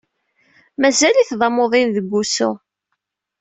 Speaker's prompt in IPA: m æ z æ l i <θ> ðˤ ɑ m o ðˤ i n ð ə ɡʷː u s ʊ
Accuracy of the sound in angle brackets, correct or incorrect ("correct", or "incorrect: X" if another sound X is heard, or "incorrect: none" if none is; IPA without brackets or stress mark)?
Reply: correct